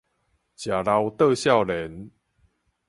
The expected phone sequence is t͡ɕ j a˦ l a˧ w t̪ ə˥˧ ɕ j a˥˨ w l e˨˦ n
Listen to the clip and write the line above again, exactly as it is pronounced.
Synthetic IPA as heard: t͡ɕ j a˨˩ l a˧ w t̪ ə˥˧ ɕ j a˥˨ w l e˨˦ n